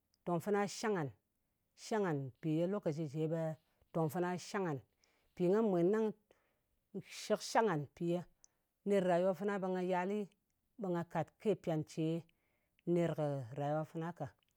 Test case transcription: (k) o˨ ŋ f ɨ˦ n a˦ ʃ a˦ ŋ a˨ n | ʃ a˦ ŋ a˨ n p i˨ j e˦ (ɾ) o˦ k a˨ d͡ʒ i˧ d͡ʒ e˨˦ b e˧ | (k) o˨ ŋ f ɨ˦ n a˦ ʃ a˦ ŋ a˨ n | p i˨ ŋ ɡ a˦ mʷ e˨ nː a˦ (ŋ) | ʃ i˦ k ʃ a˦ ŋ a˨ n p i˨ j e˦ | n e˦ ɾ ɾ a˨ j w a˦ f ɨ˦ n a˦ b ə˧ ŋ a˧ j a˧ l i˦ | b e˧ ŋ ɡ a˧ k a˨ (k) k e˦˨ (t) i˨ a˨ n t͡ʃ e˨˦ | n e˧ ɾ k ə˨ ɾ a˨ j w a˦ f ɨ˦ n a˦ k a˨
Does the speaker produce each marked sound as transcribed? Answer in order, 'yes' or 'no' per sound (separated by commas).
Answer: no, no, no, yes, no, no